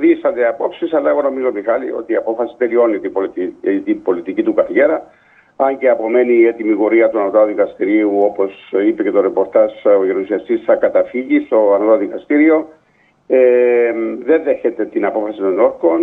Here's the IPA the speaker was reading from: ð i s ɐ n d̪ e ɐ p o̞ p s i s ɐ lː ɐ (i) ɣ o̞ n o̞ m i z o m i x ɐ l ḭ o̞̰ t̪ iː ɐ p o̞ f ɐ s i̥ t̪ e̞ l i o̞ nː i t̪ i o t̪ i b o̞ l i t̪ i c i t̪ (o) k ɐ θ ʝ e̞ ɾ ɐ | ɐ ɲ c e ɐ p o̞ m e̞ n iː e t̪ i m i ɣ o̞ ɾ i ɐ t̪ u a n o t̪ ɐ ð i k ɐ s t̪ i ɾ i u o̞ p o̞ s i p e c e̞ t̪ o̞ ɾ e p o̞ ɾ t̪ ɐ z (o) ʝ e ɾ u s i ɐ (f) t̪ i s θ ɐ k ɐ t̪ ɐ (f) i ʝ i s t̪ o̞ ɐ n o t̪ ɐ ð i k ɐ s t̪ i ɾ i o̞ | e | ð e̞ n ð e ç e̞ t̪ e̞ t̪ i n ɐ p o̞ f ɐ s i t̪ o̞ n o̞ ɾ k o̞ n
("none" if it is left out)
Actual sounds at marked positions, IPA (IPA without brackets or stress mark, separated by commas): e, u, o, s, f